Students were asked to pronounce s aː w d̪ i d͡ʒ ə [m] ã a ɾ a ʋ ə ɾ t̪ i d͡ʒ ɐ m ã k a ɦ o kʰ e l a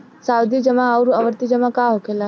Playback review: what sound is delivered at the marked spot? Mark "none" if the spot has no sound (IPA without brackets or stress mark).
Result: m